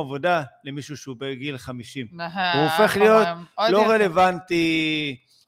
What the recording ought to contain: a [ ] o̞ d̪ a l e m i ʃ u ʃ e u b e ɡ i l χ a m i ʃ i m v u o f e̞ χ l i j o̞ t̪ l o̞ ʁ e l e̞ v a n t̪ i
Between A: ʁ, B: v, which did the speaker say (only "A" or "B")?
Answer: B